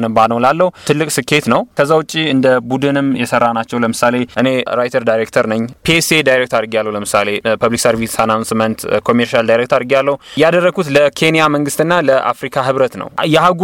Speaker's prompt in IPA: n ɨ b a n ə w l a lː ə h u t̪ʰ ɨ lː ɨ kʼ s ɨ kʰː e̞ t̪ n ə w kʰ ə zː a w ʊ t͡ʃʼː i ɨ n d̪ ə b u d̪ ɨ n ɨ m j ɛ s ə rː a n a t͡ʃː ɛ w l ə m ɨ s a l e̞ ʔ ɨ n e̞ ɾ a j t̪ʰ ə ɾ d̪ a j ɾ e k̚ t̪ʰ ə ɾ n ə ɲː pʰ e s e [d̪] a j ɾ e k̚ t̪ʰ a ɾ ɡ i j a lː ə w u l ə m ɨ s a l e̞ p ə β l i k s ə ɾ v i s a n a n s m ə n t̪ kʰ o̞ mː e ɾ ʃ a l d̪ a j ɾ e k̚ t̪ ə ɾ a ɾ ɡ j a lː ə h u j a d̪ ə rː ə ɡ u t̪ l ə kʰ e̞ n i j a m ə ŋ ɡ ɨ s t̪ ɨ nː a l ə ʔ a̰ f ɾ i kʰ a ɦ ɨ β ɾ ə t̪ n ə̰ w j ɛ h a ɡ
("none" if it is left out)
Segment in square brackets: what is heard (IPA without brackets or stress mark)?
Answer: d̪